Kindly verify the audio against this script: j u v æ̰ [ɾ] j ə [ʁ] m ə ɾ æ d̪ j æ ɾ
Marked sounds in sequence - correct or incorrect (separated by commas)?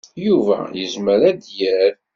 incorrect, incorrect